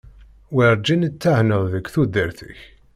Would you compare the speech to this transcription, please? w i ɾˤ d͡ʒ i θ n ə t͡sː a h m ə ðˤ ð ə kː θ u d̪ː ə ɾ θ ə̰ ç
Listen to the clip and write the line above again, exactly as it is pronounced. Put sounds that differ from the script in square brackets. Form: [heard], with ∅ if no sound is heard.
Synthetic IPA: w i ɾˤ d͡ʒ i [∅] n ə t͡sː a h [n] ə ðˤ ð ə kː θ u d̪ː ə ɾ θ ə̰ ç